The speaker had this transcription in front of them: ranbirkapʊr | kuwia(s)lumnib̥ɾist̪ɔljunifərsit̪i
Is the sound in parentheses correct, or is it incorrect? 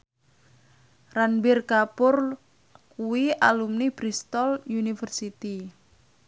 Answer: incorrect